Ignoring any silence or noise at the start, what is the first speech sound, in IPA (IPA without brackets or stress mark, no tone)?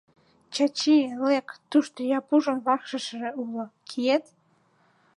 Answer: t͡ɕ